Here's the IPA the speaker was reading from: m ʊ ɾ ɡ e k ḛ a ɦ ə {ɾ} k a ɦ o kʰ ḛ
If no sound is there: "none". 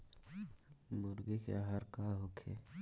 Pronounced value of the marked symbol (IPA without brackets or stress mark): ɾ